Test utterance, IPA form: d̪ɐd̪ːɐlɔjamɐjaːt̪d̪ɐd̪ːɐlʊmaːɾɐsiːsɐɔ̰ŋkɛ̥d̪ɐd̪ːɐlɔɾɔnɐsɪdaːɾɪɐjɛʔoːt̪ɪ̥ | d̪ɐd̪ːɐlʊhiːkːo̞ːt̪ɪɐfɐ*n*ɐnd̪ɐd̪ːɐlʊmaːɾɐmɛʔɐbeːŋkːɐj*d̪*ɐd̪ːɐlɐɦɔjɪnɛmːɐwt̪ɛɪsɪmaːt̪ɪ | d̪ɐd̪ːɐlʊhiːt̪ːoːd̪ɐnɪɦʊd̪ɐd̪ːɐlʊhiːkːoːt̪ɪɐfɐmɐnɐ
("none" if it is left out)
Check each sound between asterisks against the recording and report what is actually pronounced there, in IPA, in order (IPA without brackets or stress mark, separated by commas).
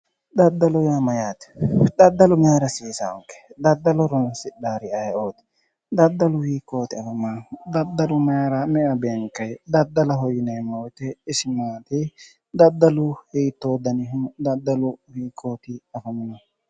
m, d̪